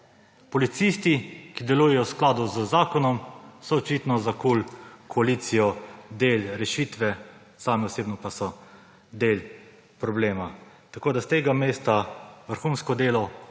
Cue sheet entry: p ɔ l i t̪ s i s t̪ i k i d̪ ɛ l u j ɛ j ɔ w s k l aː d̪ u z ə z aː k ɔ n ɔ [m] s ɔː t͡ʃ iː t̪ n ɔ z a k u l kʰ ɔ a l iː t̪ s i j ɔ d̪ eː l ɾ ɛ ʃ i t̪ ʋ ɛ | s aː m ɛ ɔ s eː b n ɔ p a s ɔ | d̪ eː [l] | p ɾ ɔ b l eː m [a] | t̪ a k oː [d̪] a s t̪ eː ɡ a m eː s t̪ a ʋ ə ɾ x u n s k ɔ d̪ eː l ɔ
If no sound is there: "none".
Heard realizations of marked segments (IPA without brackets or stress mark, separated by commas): m, l, a, d̪